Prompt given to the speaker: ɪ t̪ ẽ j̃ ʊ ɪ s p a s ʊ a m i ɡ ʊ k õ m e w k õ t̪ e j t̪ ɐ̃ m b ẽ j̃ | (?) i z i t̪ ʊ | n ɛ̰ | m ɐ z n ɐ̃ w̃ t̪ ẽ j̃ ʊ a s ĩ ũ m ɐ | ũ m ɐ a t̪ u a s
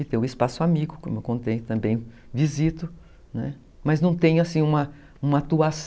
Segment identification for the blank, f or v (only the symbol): v